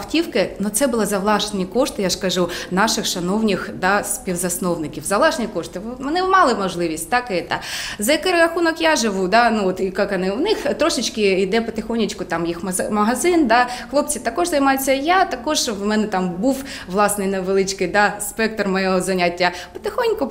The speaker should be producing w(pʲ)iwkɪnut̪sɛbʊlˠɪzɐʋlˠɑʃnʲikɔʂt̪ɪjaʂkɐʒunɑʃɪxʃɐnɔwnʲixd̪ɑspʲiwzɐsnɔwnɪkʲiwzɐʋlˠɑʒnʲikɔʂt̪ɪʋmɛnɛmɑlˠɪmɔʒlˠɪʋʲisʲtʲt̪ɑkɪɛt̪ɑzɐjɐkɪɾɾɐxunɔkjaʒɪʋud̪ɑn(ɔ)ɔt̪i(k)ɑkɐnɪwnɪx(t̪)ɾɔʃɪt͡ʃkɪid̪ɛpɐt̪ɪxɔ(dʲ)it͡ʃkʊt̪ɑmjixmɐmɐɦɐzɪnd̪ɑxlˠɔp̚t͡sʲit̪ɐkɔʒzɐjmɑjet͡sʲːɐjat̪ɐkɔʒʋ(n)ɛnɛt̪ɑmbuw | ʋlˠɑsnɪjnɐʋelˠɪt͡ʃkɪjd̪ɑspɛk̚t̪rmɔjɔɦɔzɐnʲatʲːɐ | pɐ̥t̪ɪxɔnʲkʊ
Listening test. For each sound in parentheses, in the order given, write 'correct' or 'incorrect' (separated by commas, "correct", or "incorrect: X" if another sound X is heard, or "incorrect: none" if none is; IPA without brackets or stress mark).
incorrect: tʲ, incorrect: u, correct, correct, incorrect: nʲ, incorrect: m